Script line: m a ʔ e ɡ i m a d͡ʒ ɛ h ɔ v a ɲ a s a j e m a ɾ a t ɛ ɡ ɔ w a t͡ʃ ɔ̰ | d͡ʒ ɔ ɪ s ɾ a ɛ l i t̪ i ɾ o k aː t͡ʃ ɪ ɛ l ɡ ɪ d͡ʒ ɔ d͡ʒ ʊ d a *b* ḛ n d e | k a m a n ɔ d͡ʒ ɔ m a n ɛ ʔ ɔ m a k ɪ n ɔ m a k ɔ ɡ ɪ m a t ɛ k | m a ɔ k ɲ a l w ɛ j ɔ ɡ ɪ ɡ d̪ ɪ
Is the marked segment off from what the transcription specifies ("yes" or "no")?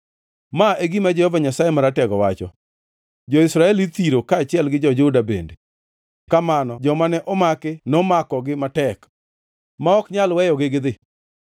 no